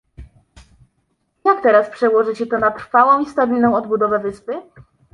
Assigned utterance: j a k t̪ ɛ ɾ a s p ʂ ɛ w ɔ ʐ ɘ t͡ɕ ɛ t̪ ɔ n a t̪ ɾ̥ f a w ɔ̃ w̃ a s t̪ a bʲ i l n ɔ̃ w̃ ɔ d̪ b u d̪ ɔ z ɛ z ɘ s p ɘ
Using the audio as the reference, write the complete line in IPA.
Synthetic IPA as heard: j a k t̪ ɛ ɾ a s p ʂ ɛ w ɔ ʐ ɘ t͡ɕ ɛ t̪ ɔ n a t̪ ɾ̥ f a w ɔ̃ w̃ i s t̪ a bʲ i l n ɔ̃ w̃ ɔ d̪ b u d̪ ɔ v ɛ v ɘ s p ɘ